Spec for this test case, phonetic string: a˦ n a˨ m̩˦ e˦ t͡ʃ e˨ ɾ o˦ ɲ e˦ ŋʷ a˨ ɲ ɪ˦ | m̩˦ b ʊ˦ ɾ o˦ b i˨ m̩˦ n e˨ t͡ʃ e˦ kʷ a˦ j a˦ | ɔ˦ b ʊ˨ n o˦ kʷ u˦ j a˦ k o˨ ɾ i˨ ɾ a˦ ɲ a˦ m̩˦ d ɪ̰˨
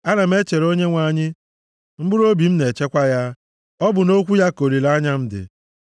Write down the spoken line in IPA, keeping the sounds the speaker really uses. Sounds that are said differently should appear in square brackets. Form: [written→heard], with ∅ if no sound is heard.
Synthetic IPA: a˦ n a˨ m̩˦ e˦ t͡ʃ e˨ ɾ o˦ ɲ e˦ ŋʷ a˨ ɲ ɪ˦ | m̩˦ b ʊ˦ ɾ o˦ b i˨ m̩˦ n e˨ t͡ʃ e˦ kʷ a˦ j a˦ | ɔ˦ b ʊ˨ n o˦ kʷ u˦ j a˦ k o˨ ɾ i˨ [ɾ→l] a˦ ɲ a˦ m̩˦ d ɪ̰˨